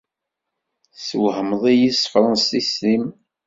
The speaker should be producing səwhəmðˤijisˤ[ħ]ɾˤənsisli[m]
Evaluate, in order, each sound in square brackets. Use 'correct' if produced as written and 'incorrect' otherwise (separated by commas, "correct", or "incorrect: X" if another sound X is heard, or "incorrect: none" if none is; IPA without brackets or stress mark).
incorrect: f, correct